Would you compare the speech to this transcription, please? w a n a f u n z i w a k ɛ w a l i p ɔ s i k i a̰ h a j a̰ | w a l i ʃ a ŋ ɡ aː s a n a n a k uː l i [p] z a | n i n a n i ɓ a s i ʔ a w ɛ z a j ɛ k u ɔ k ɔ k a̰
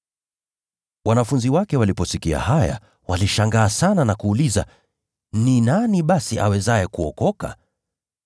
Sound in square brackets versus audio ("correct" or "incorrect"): incorrect